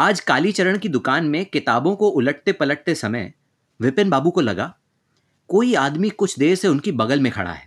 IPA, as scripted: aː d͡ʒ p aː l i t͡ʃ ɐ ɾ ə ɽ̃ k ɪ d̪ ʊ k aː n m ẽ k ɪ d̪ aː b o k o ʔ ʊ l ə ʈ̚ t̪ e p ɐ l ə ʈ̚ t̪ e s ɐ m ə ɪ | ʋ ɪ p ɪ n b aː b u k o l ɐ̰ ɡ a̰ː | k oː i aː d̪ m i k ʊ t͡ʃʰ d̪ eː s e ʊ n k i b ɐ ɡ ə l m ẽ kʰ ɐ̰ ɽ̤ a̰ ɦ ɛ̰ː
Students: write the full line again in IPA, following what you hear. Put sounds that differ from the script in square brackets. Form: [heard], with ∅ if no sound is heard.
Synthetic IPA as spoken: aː d͡ʒ [k] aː l i t͡ʃ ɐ ɾ ə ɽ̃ k [i] d̪ ʊ k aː n m ẽ k ɪ [t̪] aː b [õ] k o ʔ ʊ l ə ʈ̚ t̪ e p ɐ l ə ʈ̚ t̪ e s ɐ m ə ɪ | ʋ ɪ p ɪ n b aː b u k o l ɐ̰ ɡ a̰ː | k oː i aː d̪ m i k ʊ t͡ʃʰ d̪ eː s e ʊ n k i b ɐ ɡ ə l m ẽ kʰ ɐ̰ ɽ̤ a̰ ɦ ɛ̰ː